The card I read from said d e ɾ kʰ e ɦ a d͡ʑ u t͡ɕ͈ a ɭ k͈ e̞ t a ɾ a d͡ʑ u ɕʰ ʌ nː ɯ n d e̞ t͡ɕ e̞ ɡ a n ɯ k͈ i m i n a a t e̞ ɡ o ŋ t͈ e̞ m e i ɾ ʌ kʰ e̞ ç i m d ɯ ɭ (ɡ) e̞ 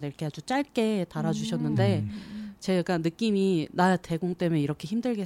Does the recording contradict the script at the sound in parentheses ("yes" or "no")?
no